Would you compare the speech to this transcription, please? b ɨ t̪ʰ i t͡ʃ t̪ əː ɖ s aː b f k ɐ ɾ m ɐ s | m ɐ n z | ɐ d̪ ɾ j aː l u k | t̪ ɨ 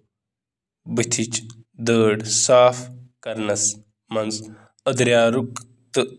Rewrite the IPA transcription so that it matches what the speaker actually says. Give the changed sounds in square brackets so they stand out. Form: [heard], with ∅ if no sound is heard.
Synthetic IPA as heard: b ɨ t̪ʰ i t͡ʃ [d̪] əː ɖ s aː [∅] f k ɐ ɾ [n] ɐ s | m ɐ n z | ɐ d̪ ɾ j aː [ɾ] u k | t̪ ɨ